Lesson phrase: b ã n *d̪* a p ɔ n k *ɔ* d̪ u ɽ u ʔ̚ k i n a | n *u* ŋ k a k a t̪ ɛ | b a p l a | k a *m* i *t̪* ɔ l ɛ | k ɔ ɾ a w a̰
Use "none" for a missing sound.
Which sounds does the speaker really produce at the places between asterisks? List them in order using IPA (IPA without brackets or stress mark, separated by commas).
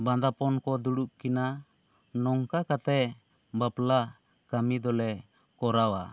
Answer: d̪, ɔ, ɔ, m, d̪